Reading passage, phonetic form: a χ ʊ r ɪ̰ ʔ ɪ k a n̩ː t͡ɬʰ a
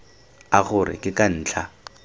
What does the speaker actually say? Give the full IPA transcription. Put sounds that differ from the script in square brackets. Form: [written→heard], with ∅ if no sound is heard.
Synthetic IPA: a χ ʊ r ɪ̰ [ʔ→k] ɪ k a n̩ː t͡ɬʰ a